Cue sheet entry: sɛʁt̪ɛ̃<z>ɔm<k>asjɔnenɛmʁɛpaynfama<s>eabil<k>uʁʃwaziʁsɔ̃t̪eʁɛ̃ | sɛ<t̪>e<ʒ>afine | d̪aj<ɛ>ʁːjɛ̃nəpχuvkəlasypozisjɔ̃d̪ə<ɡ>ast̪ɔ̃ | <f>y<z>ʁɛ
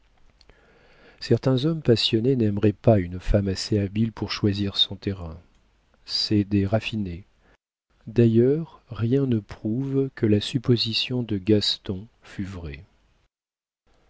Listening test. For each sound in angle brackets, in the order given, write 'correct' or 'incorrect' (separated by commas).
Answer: correct, incorrect, correct, incorrect, incorrect, incorrect, incorrect, correct, correct, incorrect